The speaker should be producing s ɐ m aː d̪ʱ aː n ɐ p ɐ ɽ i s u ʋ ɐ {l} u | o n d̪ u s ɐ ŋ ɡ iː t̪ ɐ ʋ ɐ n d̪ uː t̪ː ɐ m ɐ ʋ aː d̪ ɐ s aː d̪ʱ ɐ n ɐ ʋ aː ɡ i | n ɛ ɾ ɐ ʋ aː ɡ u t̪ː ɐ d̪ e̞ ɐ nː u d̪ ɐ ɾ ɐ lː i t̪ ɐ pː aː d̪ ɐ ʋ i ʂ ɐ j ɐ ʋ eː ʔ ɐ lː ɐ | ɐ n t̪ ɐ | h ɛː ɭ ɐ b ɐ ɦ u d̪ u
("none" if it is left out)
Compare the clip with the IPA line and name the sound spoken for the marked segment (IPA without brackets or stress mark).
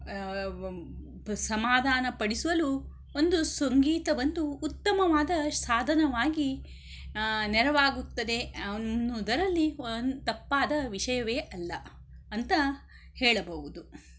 l